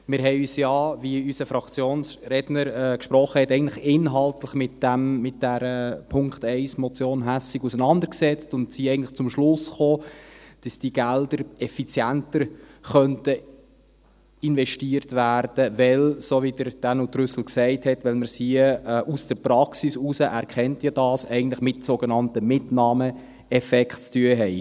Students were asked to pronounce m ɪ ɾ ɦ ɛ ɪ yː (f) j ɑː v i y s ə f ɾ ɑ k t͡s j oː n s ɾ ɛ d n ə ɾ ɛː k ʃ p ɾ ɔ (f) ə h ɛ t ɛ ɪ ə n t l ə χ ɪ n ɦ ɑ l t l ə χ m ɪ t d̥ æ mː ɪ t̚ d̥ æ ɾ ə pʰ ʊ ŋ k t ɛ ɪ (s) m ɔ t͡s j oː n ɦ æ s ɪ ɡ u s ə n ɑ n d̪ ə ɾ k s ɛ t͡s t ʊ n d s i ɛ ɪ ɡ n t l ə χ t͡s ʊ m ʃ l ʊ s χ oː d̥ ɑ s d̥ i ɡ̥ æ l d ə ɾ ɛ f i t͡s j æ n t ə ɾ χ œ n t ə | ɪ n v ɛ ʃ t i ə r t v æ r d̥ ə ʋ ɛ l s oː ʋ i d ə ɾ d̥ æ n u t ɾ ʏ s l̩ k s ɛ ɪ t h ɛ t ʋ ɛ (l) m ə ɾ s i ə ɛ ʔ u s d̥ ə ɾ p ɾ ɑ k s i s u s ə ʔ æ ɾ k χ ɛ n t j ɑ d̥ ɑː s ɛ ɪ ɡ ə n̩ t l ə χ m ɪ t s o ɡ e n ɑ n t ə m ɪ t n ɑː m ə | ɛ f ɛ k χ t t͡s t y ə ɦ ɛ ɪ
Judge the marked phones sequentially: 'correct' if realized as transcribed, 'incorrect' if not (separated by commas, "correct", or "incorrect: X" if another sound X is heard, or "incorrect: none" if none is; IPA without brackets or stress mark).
incorrect: s, incorrect: χ, correct, correct